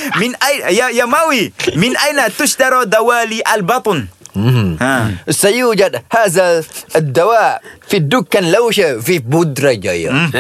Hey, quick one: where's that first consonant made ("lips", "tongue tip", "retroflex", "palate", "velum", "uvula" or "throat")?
lips